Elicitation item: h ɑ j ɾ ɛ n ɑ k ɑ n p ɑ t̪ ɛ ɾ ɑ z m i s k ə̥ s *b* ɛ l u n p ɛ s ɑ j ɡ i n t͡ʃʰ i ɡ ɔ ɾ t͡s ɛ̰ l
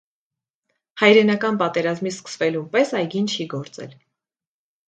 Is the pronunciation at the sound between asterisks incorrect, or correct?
incorrect